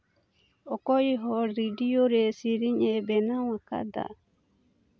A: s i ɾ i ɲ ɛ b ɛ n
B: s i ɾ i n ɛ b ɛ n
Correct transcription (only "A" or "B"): A